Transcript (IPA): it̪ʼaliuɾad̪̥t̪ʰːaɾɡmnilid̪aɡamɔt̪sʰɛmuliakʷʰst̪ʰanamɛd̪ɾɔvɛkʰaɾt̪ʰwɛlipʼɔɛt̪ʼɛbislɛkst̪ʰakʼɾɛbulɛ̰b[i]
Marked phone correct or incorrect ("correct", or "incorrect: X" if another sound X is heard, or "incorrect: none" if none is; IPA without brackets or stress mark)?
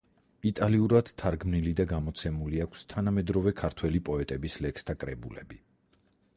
correct